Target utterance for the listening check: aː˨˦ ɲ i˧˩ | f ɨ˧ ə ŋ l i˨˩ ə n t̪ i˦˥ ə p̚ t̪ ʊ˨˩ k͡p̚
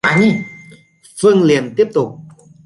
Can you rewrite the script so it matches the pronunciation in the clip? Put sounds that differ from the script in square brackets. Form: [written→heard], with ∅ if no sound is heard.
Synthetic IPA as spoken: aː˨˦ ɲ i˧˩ | f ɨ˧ ə ŋ l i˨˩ ə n t̪ i˦˥ ə p̚ t̪ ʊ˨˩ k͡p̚